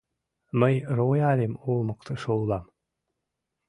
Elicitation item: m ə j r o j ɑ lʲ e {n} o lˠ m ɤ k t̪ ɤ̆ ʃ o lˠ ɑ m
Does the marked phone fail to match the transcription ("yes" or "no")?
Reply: yes